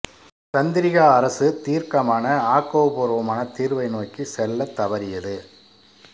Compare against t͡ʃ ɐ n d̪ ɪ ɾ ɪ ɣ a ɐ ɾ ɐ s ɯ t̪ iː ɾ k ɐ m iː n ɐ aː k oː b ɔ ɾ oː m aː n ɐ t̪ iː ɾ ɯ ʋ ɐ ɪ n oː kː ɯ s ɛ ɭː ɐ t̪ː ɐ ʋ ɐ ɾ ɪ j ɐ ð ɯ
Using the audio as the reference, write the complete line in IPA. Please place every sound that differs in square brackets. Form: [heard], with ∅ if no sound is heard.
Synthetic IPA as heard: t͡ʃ ɐ n d̪ ɪ ɾ ɪ ɣ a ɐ ɾ ɐ s ɯ t̪ iː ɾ k ɐ m [aː] n ɐ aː k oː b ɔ ɾ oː m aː n ɐ t̪ iː ɾ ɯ ʋ ɐ ɪ n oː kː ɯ s ɛ [lː] ɐ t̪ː ɐ ʋ ɐ ɾ ɪ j ɐ ð ɯ